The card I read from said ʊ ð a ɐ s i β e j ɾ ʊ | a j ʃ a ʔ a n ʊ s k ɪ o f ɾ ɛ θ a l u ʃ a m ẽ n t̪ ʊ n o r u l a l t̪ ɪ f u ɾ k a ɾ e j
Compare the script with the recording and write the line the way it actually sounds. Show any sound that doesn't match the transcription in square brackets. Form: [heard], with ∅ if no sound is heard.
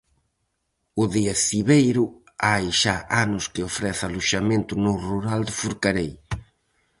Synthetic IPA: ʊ ð [i] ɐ s i β e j ɾ ʊ | a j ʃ a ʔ a n ʊ s k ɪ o f ɾ ɛ θ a l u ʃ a m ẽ n t̪ ʊ n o r u [ɾ] a l [d̪] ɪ f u ɾ k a ɾ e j